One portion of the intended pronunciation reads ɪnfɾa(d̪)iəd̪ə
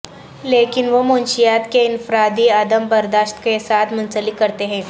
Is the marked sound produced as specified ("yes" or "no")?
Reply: yes